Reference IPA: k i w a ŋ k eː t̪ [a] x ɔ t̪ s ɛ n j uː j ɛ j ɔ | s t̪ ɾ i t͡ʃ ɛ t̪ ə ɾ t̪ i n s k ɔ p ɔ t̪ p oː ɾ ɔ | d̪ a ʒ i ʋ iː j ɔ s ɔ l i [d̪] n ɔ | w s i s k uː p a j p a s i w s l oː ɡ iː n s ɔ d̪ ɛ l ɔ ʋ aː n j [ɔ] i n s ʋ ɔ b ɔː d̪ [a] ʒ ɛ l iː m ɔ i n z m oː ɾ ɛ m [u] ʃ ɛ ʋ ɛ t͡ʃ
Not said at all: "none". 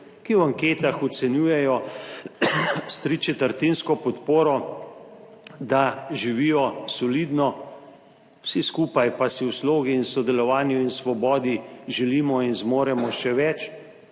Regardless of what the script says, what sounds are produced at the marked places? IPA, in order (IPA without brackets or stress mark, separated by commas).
a, d̪, u, i, ɔ